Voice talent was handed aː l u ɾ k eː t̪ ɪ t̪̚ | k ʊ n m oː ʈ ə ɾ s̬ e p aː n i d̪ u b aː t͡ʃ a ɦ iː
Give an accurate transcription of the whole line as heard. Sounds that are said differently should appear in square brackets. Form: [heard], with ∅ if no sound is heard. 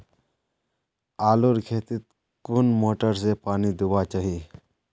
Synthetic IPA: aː l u ɾ [kʰ] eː t̪ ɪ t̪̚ | k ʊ n m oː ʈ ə ɾ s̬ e p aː n i d̪ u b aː t͡ʃ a ɦ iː